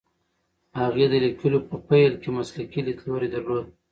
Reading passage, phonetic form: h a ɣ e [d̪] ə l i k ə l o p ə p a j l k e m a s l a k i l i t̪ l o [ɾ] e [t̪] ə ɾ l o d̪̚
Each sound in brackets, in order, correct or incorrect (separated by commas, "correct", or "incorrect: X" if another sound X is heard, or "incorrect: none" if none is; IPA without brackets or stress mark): correct, correct, incorrect: d̪